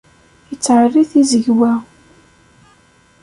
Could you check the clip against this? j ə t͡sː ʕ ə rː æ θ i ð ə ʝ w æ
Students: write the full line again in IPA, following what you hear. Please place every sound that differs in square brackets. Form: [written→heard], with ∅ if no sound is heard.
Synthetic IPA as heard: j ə t͡sː ʕ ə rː [æ→i] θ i [ð→z] ə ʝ w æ